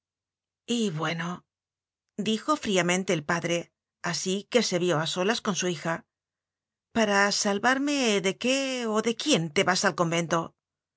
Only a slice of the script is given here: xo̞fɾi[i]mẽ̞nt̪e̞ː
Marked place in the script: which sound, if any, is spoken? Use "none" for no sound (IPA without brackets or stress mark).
a